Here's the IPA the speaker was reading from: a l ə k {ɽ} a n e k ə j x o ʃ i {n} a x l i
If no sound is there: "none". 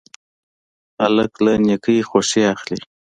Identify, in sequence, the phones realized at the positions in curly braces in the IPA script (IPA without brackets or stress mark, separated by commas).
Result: l, none